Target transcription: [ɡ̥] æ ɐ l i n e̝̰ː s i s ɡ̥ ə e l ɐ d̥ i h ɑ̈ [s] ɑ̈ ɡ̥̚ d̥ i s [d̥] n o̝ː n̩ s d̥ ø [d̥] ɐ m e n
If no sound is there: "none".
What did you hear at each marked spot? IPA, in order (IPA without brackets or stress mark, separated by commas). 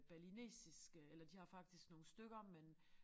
b̥, f, ɡ̥, ɡ̥